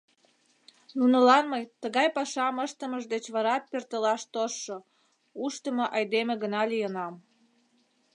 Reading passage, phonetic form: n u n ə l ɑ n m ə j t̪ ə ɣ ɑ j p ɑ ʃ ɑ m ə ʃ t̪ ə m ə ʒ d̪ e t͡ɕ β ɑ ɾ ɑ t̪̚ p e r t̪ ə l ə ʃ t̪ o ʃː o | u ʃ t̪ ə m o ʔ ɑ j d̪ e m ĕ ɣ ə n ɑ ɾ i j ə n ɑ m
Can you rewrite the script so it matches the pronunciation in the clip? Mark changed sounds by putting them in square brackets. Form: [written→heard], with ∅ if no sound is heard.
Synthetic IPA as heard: n u n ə l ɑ n m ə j t̪ ə ɣ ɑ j p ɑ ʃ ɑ m ə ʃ t̪ ə m ə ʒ d̪ e t͡ɕ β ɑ ɾ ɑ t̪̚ p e r t̪ ə l [ə→ɑ] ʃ t̪ o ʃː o | u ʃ t̪ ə m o ʔ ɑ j d̪ e m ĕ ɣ ə n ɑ [ɾ→l] i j ə n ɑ m